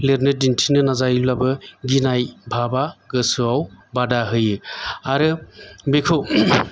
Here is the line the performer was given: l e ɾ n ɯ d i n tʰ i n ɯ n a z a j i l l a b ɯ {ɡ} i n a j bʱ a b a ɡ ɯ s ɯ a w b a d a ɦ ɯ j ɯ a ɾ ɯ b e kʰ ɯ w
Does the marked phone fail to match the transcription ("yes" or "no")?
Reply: no